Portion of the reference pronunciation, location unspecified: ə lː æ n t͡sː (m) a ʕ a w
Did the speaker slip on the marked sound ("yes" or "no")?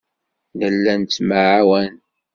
no